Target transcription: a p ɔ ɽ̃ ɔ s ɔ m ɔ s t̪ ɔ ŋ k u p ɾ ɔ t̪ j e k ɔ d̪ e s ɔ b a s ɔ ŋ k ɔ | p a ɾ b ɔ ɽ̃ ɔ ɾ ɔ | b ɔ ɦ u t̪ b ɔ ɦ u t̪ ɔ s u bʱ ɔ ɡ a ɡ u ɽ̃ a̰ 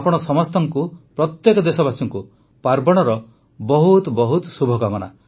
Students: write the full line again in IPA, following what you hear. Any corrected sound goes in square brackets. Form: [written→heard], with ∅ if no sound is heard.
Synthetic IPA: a p ɔ ɽ̃ ɔ s ɔ m ɔ s t̪ ɔ ŋ k u p ɾ ɔ t̪ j e k ɔ d̪ e s ɔ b a s ɔ ŋ k [ɔ→u] | p a ɾ b ɔ ɽ̃ ɔ ɾ ɔ | b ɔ ɦ u t̪ b ɔ ɦ u t̪ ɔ s u bʱ ɔ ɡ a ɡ [u→ɔ] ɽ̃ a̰